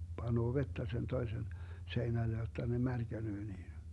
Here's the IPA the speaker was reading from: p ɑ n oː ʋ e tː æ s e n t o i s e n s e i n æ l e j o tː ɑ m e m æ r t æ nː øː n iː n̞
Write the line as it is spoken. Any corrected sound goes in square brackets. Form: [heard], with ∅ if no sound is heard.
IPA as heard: p ɑ n oː ʋ e tː æ s e n t o i s e n s e i n æ l e j o tː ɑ [n] e m æ r [k] æ [n] øː n iː n̞